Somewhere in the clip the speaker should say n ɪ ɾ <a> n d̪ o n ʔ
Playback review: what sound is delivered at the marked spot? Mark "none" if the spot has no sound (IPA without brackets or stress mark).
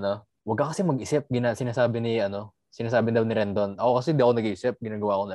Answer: ɛ